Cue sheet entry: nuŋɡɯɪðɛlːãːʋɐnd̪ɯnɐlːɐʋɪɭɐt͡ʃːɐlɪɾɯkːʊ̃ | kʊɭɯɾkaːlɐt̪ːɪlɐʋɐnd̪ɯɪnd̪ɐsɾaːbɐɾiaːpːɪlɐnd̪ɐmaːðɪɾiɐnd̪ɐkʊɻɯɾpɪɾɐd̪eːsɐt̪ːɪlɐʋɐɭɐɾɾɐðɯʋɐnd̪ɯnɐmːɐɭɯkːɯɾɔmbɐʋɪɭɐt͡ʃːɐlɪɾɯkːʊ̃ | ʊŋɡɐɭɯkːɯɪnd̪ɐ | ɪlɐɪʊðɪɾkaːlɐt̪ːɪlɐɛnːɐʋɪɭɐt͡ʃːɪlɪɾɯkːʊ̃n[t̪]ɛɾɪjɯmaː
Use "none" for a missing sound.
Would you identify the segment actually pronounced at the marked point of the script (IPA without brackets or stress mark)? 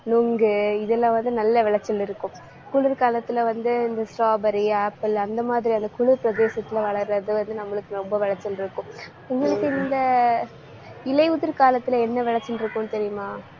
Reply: t̪